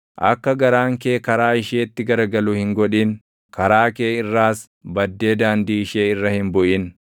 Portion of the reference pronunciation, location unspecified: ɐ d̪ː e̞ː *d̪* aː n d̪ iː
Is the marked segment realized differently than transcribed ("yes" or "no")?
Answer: no